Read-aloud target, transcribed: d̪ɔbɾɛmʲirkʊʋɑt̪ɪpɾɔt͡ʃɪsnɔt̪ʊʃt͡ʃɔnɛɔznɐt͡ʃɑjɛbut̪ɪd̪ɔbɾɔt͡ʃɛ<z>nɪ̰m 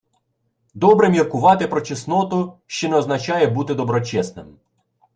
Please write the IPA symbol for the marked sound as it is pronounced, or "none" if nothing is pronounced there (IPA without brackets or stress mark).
s